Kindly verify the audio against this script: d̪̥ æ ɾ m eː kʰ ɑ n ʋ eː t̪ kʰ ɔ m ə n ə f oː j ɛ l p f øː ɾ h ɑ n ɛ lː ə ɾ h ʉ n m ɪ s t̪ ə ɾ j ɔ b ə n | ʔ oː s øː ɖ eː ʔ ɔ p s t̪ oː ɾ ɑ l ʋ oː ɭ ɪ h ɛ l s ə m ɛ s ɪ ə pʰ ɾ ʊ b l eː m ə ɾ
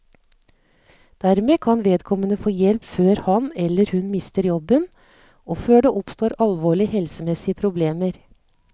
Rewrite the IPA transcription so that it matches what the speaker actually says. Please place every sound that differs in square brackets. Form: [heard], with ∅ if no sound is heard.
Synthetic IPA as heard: d̪̥ æ ɾ m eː kʰ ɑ n ʋ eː [d̪] kʰ ɔ m ə n ə f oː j ɛ l p f øː ɾ h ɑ n ɛ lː ə ɾ h ʉ n m ɪ s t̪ ə ɾ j ɔ b ə n | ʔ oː [f] øː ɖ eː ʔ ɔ p s t̪ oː ɾ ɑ l ʋ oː ɭ ɪ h ɛ l s ə m ɛ s ɪ ə pʰ ɾ ʊ b l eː m ə ɾ